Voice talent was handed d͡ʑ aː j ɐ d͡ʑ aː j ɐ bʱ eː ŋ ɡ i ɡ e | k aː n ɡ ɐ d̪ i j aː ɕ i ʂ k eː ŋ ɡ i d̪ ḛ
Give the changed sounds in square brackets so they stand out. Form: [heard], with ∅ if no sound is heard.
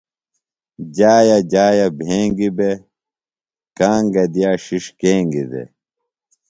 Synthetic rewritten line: d͡ʑ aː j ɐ d͡ʑ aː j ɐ bʱ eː ŋ ɡ i [b] e | k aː [ŋ] ɡ ɐ d̪ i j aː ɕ i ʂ k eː ŋ ɡ i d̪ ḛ